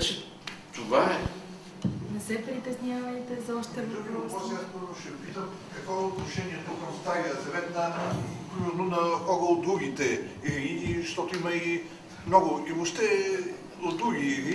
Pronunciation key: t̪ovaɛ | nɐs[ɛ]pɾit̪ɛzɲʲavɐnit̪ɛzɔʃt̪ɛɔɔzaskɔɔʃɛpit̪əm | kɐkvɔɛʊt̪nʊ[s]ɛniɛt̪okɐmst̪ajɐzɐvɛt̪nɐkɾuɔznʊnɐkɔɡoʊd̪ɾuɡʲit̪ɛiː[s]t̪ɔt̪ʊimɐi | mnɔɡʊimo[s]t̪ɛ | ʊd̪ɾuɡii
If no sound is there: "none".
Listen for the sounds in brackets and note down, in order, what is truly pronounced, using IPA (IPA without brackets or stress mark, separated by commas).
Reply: ɛ, ʃ, ʃ, ʃ